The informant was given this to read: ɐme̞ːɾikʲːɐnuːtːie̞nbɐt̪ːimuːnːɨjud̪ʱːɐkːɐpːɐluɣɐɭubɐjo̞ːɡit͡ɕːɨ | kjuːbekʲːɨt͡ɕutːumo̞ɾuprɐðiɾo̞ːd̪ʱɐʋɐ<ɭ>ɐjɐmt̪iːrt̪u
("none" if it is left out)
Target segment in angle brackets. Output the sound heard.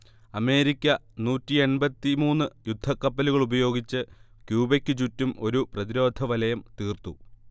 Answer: l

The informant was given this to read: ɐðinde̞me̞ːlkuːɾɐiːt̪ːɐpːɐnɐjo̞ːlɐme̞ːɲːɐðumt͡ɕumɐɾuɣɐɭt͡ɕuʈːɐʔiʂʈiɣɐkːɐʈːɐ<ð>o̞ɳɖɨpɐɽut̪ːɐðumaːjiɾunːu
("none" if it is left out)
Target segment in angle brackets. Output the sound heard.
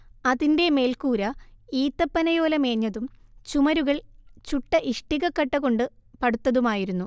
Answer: ɣ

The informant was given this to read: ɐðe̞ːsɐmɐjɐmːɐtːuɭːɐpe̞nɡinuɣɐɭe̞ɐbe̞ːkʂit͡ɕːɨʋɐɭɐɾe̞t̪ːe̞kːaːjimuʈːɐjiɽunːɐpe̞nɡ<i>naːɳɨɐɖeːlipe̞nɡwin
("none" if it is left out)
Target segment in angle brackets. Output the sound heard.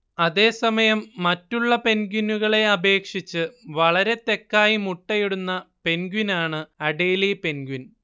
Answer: i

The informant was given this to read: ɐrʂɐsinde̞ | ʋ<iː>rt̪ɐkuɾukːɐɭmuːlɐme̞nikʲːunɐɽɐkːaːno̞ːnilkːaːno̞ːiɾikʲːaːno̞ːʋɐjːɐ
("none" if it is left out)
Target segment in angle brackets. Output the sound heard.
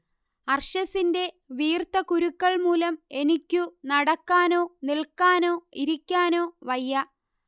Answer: iː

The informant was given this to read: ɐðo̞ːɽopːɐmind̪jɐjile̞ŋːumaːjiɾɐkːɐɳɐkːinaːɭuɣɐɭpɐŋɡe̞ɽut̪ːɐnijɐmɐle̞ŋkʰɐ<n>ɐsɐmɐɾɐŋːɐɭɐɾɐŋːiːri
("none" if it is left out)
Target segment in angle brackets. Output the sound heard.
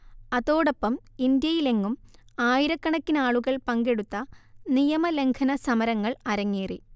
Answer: n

